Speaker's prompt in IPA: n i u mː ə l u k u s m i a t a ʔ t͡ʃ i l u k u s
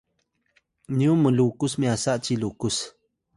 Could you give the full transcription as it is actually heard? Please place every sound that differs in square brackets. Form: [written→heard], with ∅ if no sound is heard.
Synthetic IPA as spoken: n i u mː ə l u k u s m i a [t→s] a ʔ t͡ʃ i l u k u s

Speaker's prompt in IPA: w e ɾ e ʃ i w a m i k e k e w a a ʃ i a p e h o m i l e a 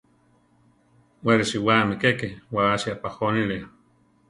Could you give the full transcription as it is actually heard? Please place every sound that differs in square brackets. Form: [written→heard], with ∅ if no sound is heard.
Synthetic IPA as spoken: w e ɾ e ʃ i w a m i k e k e w a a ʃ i a p [e→a] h o [m→n] i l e a

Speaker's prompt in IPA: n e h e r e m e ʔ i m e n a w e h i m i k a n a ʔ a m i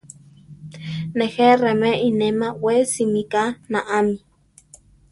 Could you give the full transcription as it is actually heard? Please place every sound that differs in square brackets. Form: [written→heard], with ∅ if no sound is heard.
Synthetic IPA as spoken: n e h e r e m e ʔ i [m→n] e [n→m] a w e [h→s] i m i k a n a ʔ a m i

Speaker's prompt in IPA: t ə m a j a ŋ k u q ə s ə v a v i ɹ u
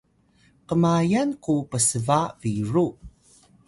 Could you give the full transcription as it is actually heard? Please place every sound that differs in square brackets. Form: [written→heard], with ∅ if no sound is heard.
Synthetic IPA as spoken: [t→q] ə m a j a [ŋ→n] k u [q→p] ə s ə v a v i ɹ u

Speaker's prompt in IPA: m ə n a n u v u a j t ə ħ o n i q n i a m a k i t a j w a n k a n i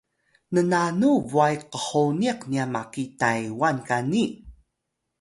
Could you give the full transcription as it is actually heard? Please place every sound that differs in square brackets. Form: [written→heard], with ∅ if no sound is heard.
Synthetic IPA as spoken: [m→n] ə n a n u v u a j [t→q] ə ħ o n i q n i a m a k i t a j w a n k a n i

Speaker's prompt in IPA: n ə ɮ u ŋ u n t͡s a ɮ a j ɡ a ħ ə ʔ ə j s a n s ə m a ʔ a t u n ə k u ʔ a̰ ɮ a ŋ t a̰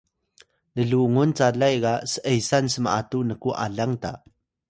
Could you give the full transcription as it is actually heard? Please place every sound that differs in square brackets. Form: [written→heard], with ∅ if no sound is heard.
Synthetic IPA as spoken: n ə ɮ u ŋ u n t͡s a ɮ a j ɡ a [ħ→s] ə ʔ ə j s a n s ə m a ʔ a t u n ə k u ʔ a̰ ɮ a ŋ t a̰

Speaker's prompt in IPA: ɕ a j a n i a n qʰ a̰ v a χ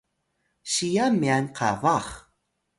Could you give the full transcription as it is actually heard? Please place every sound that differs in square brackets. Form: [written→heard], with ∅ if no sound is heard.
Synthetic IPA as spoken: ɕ [a→i] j a [n→m] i a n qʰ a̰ v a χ

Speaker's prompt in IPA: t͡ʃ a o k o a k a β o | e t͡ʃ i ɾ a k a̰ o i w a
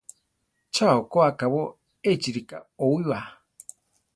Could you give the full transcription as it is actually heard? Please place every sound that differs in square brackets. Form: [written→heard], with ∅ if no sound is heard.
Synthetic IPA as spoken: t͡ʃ a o k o a k a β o | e t͡ʃ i ɾ [a→i] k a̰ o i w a

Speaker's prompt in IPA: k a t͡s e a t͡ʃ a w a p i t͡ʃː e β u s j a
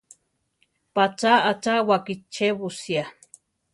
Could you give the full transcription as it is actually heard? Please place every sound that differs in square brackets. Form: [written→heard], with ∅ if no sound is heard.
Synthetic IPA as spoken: [k→p] a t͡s [e→a] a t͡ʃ a w a [p→k] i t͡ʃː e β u s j a

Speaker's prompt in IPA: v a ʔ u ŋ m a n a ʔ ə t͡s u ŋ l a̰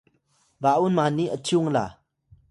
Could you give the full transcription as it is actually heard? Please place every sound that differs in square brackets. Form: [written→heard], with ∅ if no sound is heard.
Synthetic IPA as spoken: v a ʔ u [ŋ→n] m a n [a→i] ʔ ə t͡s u ŋ l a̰

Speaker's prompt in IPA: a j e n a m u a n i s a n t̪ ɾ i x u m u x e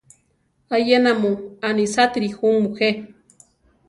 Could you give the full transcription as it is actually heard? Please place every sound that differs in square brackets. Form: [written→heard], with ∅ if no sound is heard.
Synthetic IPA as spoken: a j e n a m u a n i s a [n→∅] t̪ ɾ i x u m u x e

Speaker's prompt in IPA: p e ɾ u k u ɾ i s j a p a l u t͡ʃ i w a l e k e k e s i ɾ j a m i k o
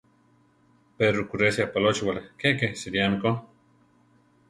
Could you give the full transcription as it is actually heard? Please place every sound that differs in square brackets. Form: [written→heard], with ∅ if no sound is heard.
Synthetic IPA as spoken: p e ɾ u k u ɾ [i→e] s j a p a l [u→o] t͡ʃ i w a l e k e k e s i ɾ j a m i k o

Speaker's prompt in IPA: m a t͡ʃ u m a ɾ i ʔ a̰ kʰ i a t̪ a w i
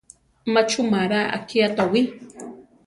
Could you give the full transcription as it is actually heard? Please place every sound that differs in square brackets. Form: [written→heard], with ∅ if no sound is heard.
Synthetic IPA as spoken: m a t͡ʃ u m a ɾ [i→a] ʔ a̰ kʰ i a t̪ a w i

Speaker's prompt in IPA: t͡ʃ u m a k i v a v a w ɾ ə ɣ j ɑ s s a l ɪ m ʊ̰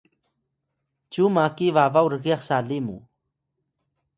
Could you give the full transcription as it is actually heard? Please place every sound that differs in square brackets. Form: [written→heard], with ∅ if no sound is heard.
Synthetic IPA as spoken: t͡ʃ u m a k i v a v a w ɾ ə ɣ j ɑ [s→χ] s a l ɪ m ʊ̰

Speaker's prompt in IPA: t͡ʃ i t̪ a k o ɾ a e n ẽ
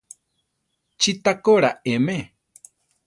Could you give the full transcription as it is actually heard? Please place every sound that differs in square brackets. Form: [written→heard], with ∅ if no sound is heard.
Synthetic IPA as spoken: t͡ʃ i t̪ a k o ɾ a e [n→m] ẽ

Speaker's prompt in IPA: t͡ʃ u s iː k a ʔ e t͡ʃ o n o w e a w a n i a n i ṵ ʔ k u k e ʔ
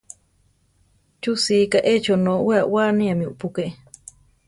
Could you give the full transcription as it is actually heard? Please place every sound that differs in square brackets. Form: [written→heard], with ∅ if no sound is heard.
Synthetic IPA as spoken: t͡ʃ u s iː k a ʔ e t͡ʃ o n o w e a w a n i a [n→m] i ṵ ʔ [k→p] u k e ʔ

